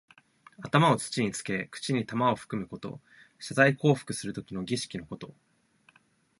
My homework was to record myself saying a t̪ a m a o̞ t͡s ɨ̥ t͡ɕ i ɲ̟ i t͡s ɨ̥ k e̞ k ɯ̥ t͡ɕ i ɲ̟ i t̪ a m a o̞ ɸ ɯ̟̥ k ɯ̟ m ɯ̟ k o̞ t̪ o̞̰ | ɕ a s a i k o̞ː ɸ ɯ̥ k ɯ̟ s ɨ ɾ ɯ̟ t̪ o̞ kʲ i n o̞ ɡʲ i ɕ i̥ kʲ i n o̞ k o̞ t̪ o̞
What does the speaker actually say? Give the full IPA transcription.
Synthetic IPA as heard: a t̪ a m a o̞ t͡s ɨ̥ t͡ɕ i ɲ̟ i t͡s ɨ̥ k e̞ k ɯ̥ t͡ɕ i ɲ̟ i t̪ a m a o̞ ɸ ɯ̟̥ k ɯ̟ m ɯ̟ k o̞ t̪ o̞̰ | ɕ a z a i k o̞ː ɸ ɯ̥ k ɯ̟ s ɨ ɾ ɯ̟ t̪ o̞ kʲ i n o̞ ɡʲ i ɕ i̥ kʲ i n o̞ k o̞ t̪ o̞